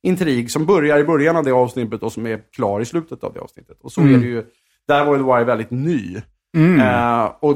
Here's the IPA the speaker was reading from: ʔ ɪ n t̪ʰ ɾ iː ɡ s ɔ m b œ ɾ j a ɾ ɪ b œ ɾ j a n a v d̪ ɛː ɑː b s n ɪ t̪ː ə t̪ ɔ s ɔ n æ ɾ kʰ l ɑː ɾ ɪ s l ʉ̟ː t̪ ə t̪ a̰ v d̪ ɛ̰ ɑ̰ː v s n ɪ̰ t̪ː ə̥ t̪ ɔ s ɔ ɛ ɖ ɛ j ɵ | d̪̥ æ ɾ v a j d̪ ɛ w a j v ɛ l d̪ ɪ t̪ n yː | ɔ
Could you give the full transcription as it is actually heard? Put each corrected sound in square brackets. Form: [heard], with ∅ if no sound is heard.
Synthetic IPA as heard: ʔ ɪ n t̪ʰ ɾ iː ɡ s ɔ m b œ ɾ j a ɾ ɪ b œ ɾ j a n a v d̪ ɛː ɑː [v] s n ɪ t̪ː ə t̪ ɔ s ɔ [m] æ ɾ kʰ l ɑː ɾ ɪ s l ʉ̟ː t̪ ə t̪ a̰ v d̪ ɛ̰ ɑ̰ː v s n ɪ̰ t̪ː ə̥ t̪ ɔ s ɔ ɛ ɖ ɛ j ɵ | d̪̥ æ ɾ v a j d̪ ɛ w a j v ɛ l d̪ ɪ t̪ n yː | ɔ